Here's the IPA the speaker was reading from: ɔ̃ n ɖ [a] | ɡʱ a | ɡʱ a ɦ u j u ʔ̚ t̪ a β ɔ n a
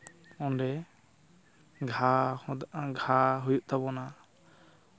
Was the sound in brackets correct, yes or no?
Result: no